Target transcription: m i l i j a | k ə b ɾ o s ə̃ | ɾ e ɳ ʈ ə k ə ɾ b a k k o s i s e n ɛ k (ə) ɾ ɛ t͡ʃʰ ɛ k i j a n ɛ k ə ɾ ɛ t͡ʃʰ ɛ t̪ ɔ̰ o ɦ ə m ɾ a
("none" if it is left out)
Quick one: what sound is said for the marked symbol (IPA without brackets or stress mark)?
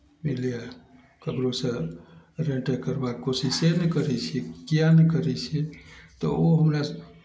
ə